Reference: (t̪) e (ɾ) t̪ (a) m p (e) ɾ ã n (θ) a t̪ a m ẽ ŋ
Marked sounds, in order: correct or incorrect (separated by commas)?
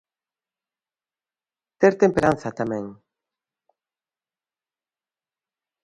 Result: correct, correct, incorrect, correct, correct